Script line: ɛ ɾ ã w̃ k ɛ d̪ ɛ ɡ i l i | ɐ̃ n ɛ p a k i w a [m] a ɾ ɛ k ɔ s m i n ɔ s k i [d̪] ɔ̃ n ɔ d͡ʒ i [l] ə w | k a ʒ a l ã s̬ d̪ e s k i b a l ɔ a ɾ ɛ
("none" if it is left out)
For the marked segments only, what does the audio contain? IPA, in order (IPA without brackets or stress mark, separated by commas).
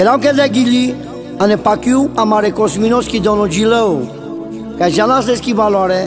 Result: m, d̪, l